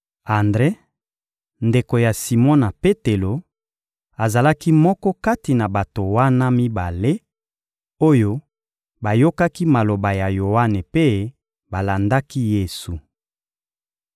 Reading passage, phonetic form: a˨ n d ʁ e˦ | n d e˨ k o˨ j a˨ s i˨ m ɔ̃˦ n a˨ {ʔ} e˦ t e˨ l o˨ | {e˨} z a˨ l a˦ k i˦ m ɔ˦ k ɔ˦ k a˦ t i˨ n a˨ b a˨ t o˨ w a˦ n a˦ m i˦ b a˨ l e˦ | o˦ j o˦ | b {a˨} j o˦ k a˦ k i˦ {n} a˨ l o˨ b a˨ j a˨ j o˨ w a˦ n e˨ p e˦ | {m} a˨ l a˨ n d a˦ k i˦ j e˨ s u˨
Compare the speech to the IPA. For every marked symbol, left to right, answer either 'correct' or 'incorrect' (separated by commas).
incorrect, incorrect, correct, incorrect, incorrect